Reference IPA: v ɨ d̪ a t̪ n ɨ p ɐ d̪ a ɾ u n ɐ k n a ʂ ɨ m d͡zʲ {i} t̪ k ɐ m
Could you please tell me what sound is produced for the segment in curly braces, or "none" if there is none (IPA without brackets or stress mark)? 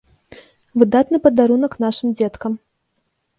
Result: ɛ